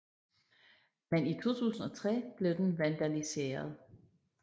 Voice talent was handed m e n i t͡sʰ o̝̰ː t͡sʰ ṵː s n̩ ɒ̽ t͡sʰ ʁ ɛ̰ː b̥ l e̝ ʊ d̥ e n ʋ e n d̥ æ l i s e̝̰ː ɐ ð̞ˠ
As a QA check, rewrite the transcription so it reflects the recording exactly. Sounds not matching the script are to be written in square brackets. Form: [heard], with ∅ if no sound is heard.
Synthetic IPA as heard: m e n i t͡sʰ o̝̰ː t͡sʰ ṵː s n̩ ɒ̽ t͡sʰ ʁ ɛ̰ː b̥ l e̝ ʊ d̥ e n ʋ [æ] n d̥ æ l i s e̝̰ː ɐ ð̞ˠ

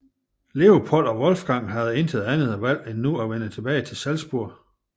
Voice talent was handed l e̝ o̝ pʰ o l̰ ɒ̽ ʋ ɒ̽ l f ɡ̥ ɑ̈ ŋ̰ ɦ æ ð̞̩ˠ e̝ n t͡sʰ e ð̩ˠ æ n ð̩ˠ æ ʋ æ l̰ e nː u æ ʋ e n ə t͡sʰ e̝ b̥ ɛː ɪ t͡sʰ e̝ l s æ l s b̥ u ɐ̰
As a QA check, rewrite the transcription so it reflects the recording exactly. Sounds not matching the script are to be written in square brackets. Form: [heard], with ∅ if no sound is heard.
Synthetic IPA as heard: l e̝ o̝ pʰ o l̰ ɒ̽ ʋ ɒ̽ l f ɡ̥ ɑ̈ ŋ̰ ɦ æ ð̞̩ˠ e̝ n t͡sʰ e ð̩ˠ æ n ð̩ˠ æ ʋ æ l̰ e nː u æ ʋ e n ə t͡sʰ e̝ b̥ ɛː ɪ t͡sʰ e̝ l s æ l s b̥ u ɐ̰

